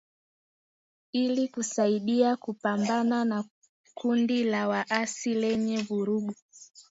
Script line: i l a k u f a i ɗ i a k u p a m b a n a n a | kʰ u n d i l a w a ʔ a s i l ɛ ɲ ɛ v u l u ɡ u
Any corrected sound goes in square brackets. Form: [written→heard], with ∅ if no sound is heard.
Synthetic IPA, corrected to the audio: i l [a→i] k u [f→s] a i ɗ i a k u p a m b a n a n a | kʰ u n d i l a w a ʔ a s i l ɛ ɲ ɛ v u [l→ɾ] u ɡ u